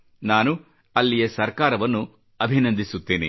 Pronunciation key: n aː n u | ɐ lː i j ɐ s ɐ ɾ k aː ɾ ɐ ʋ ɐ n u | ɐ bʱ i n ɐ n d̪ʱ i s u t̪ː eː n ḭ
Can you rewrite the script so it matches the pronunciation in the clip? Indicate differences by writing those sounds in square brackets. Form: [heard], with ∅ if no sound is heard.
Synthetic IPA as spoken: n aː n u | ɐ lː i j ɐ s ɐ ɾ k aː ɾ ɐ ʋ ɐ [nː] u | ɐ bʱ i n ɐ n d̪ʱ i s u t̪ː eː n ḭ